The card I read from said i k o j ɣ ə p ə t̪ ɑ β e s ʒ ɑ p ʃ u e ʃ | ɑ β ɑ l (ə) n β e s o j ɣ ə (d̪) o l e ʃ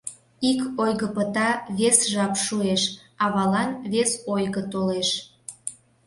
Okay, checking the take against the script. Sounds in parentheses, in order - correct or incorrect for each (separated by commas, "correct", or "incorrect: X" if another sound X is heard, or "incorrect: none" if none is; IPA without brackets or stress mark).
incorrect: ɑ, incorrect: t̪